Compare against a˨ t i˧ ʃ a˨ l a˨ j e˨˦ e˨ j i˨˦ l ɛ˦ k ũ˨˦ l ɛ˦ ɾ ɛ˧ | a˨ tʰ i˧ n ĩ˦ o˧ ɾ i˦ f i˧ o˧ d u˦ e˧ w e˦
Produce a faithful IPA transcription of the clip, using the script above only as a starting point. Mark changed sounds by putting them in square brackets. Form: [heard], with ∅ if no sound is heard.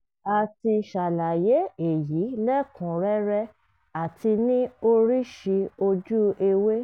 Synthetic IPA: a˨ t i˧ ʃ a˨ l a˨ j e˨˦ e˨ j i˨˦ l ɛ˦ k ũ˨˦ [ɾ] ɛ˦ ɾ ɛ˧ | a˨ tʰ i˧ n ĩ˦ o˧ ɾ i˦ [ʃ] i˧ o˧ [d͡ʒ] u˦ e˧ w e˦